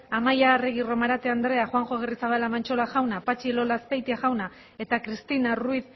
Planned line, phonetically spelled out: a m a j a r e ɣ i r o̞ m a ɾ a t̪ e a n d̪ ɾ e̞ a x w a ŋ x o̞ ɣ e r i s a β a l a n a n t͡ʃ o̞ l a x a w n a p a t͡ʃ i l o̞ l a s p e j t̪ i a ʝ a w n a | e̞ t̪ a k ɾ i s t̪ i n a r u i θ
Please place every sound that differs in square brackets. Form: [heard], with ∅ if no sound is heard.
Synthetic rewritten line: a m a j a r e ɣ i r o̞ m a ɾ a t̪ e a n d̪ ɾ e̞ a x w a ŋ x o̞ ɣ e r i s a β a l a [m] a n t͡ʃ o̞ l a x a w n a p a t͡ʃ i l o̞ l a s p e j t̪ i a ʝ a w n a | e̞ t̪ a k ɾ i s t̪ i n a r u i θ